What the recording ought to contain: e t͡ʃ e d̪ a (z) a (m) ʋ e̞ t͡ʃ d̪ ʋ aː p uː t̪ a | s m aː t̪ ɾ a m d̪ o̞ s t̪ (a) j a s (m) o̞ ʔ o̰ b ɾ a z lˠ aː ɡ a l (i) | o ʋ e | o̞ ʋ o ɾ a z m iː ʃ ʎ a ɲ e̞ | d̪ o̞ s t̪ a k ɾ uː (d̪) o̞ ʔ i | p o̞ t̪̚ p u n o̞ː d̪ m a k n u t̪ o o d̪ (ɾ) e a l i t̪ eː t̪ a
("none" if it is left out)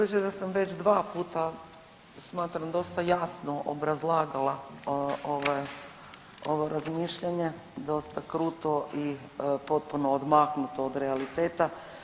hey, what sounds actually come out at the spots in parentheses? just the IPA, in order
s, m, a, n, a, t̪, ɾ

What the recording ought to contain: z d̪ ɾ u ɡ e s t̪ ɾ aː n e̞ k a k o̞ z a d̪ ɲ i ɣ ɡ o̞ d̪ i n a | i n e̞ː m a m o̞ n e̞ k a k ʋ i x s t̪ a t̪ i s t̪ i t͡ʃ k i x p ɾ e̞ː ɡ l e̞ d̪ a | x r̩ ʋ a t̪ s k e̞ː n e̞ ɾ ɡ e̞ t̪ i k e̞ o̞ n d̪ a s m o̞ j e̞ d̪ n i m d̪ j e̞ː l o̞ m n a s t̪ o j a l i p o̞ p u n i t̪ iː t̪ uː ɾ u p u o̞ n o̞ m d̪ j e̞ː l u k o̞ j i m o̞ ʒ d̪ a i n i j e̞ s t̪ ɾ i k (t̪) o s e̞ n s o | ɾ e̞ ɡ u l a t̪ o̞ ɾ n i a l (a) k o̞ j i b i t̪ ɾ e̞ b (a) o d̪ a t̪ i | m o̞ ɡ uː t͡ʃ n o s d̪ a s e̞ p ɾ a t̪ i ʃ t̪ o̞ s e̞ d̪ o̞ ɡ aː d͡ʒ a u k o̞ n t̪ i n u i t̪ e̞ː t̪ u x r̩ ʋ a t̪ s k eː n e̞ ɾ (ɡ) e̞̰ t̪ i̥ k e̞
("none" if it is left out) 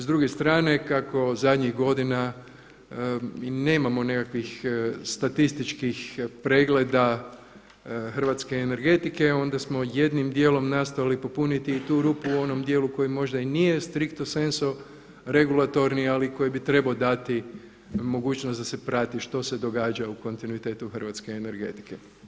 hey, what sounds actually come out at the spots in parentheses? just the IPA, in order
t̪, i, a, ɡ

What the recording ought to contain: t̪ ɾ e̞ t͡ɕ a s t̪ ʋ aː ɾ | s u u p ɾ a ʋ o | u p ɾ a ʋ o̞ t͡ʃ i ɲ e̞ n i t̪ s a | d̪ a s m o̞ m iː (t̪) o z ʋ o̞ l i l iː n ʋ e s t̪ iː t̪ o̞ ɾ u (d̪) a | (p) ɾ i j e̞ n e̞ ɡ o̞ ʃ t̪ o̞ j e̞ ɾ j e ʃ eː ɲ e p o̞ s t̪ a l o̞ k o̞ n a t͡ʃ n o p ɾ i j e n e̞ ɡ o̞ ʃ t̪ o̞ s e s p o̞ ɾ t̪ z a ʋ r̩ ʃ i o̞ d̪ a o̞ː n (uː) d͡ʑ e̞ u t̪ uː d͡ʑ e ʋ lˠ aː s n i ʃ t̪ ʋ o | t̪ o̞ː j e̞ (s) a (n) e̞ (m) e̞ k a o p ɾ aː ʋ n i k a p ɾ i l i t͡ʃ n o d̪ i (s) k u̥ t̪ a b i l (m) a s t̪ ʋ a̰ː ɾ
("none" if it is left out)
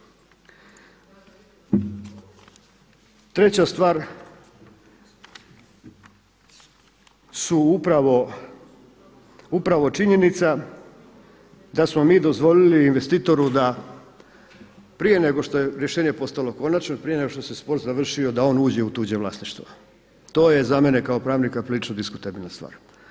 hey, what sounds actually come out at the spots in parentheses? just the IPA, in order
d̪, d̪, p, uː, z, m, n, s, n

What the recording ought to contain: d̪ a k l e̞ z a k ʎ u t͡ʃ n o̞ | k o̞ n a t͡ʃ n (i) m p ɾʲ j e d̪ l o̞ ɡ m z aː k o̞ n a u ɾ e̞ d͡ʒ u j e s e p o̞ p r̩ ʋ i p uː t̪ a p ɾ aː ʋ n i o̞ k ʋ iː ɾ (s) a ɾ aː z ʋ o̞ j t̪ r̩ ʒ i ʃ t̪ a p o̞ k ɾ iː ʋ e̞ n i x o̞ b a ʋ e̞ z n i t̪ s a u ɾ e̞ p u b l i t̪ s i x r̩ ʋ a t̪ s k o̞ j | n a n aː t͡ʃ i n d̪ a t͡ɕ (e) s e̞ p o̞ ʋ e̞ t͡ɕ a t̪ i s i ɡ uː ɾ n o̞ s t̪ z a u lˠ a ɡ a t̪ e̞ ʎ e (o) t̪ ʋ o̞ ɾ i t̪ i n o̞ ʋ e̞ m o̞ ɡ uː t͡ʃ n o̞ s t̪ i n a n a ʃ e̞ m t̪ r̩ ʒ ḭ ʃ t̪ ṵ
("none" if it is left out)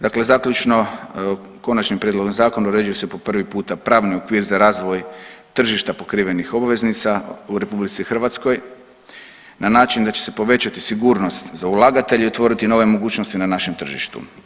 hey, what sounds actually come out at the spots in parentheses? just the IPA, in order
i, z, e, o

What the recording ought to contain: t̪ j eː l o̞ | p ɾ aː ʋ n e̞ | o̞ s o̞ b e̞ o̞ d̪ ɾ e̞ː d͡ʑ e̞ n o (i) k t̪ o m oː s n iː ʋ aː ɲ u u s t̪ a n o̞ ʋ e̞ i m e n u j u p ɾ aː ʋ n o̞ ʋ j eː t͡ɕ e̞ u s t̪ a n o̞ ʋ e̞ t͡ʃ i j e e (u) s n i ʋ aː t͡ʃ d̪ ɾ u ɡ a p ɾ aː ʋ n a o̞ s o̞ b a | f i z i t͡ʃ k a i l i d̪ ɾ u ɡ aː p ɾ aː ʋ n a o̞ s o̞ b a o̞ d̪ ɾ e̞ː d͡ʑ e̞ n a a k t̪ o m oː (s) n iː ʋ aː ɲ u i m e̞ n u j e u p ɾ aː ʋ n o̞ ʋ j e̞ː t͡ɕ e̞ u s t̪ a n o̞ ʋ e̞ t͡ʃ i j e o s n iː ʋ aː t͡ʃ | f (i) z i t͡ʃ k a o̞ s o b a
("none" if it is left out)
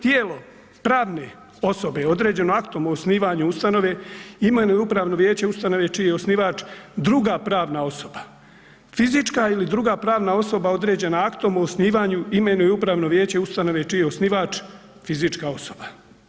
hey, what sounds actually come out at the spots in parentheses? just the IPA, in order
a, o, s, i

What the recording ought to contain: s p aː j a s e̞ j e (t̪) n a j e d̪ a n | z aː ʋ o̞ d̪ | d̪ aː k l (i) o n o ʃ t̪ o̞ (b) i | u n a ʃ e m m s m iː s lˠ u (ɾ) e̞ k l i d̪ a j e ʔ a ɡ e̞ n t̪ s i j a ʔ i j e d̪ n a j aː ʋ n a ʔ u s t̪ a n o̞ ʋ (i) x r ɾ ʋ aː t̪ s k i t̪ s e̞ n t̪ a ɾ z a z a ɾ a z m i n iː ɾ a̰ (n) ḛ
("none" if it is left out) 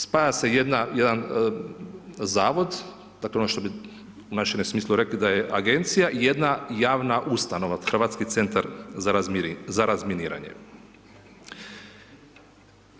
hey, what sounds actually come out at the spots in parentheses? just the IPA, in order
d̪, e, b, ɾ, a, ɲ

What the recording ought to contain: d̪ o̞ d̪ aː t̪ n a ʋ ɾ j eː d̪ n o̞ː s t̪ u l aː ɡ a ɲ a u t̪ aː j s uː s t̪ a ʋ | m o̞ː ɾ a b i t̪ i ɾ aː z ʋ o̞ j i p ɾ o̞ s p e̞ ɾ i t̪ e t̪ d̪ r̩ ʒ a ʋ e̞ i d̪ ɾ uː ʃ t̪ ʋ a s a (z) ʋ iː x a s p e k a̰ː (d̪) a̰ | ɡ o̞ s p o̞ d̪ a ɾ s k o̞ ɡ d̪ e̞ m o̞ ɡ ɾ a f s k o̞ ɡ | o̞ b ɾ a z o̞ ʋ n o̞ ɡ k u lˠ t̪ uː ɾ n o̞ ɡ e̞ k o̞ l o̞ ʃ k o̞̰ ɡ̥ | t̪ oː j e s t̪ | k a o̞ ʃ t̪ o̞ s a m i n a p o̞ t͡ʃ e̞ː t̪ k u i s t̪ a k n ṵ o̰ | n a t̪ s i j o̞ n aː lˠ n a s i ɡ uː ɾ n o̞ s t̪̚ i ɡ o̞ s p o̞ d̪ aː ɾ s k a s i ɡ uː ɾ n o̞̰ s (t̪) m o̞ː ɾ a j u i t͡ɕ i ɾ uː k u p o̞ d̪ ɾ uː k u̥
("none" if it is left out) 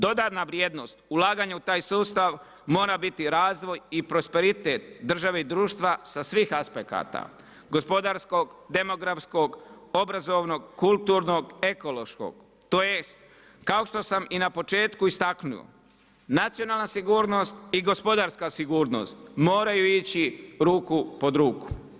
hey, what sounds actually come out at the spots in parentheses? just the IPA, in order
s, t̪, t̪

